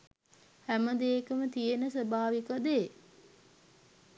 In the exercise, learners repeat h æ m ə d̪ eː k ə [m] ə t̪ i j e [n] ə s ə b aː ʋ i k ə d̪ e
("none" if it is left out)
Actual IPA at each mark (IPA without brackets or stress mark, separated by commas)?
m, n